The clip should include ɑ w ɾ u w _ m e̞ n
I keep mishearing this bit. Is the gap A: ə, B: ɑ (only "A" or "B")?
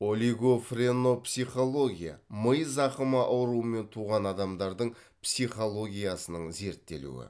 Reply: A